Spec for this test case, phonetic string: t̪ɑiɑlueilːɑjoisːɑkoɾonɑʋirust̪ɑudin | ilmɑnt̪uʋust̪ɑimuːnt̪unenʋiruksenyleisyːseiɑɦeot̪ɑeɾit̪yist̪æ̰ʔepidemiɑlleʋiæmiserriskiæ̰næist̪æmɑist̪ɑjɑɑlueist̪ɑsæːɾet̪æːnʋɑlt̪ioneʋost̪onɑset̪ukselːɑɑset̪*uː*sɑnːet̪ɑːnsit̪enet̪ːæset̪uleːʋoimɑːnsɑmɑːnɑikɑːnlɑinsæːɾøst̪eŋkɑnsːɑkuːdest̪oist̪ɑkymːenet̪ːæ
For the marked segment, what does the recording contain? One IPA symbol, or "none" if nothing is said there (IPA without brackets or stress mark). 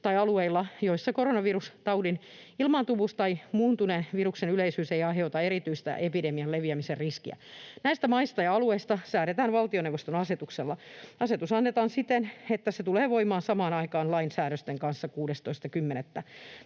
u